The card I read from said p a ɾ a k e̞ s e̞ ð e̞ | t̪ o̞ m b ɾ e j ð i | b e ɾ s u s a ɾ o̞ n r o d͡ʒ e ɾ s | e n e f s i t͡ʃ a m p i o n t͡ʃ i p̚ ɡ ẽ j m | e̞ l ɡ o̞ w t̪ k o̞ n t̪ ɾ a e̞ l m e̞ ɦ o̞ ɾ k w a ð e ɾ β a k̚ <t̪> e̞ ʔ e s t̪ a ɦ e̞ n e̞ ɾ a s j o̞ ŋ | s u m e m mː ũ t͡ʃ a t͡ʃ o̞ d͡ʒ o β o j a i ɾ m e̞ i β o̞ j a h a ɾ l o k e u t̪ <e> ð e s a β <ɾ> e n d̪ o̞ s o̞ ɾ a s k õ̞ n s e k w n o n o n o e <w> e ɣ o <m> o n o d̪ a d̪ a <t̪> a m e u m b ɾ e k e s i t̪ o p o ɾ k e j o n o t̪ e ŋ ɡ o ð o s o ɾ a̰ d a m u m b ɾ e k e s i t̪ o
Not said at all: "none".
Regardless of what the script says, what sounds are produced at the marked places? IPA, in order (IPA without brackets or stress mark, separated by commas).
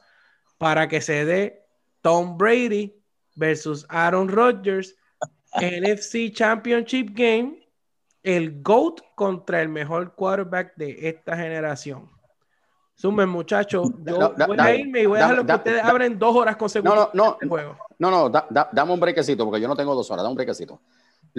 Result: d̪, e, ɾ, w, n, d̪